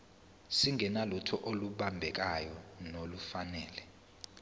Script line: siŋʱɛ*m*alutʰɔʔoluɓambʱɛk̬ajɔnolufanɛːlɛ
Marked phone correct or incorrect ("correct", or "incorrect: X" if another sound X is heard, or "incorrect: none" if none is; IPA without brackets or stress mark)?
incorrect: n